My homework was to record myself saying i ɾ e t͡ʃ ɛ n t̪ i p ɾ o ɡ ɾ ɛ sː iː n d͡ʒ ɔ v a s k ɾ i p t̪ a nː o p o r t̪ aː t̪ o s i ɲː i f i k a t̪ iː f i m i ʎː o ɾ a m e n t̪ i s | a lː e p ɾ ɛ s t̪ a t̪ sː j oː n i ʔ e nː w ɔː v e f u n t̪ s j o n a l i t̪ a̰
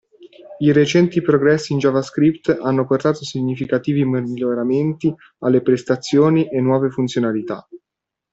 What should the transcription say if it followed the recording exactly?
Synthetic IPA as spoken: i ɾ e t͡ʃ ɛ n t̪ i p ɾ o ɡ ɾ ɛ sː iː n d͡ʒ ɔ v a s k ɾ i p t̪ a nː o p o r t̪ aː t̪ o s i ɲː i f i k a t̪ iː v i m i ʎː o ɾ a m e n t̪ i | a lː e p ɾ e s t̪ a t̪ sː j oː n i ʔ e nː w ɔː v e f u n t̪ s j o n a l i t̪ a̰